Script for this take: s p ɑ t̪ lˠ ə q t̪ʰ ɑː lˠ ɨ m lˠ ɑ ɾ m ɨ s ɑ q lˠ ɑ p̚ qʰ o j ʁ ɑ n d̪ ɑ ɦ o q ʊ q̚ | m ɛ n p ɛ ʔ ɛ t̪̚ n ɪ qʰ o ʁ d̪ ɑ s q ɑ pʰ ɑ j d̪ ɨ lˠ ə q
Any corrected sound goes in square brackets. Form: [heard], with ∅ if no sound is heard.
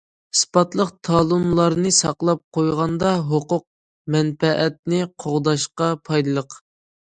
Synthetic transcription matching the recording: s p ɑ t̪ lˠ ə q t̪ʰ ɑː lˠ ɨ m lˠ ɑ ɾ [n] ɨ s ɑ q lˠ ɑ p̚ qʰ o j ʁ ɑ n d̪ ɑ ɦ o q ʊ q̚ | m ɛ n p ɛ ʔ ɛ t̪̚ n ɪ qʰ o ʁ d̪ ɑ [ʃ] q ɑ pʰ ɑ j d̪ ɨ lˠ ə q